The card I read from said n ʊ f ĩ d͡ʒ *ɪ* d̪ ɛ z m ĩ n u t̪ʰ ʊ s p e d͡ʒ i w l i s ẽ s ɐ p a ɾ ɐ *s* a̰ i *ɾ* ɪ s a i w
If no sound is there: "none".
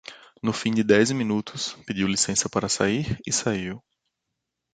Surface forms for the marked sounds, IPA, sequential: ɪ, s, ɾ

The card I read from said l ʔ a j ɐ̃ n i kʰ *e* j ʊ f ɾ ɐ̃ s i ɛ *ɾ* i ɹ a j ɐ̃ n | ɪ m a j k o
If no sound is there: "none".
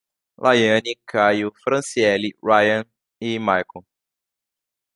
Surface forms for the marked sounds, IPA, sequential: a, l

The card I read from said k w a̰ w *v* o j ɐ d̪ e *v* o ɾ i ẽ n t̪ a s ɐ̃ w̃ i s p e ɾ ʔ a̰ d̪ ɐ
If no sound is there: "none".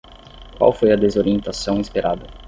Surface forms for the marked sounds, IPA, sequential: f, z

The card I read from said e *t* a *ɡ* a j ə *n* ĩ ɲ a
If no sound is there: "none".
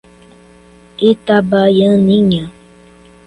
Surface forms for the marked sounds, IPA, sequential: t, b, n

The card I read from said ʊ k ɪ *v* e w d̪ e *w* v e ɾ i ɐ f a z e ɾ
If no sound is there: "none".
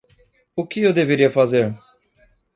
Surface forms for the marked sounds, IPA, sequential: none, none

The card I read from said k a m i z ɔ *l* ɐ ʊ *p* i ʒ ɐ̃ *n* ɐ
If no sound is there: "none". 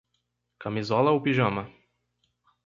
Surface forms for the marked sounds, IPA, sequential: l, p, m

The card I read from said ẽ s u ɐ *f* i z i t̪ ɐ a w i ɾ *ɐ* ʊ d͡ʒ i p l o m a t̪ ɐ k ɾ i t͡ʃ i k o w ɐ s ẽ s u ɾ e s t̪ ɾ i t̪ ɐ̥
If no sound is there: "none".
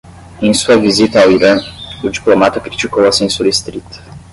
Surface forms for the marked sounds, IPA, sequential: v, ɐ̃

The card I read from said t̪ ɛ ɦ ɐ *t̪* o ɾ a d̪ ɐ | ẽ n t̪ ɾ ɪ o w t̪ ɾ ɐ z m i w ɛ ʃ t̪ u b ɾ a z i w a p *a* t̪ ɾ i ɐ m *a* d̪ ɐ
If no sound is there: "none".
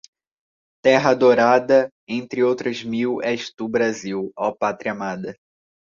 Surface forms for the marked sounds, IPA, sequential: d̪, a, a

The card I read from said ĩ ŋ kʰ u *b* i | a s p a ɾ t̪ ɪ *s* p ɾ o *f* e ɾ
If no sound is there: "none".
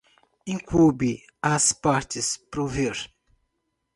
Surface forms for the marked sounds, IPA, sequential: b, s, v

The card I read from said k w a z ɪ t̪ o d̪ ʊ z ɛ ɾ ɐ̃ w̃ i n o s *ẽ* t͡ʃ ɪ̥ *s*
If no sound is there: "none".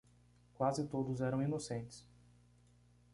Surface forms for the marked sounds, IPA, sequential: ẽ, s

